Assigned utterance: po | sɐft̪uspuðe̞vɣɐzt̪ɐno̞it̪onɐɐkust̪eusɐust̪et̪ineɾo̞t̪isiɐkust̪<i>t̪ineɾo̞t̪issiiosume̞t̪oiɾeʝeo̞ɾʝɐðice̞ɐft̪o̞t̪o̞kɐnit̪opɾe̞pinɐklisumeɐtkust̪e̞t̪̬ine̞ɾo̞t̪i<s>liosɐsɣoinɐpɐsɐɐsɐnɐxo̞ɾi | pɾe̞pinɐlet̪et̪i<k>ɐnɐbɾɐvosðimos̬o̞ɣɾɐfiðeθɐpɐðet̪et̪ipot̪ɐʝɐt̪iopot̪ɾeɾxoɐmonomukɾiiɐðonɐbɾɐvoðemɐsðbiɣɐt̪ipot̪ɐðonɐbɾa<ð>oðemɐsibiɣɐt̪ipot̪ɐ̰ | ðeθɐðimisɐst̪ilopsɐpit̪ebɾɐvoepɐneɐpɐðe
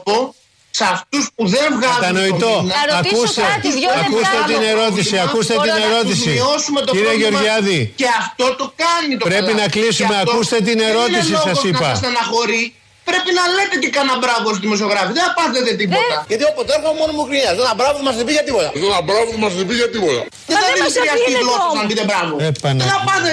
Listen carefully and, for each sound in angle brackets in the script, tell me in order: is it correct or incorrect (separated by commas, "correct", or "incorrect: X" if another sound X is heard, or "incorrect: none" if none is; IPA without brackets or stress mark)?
incorrect: e, correct, correct, incorrect: v